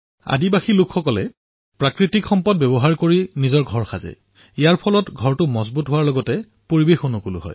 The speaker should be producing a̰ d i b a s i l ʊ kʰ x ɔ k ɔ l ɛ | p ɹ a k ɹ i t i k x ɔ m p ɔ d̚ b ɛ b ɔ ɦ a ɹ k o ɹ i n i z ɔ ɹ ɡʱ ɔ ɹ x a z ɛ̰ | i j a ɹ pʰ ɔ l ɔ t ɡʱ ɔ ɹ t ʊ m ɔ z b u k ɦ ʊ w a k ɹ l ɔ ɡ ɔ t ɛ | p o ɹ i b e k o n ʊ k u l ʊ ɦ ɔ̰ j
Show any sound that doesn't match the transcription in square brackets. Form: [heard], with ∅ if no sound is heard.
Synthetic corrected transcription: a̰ d i b a [x] i l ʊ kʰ x ɔ k ɔ l ɛ | p ɹ a k ɹ i t i k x ɔ m p ɔ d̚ b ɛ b ɔ ɦ a ɹ k o ɹ i n i z ɔ ɹ ɡʱ ɔ ɹ x a z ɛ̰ | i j a ɹ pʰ ɔ l ɔ t ɡʱ ɔ ɹ t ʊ m ɔ z b u [t] ɦ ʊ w a [∅] ɹ l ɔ ɡ ɔ t ɛ | p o ɹ i b e [x] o n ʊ k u l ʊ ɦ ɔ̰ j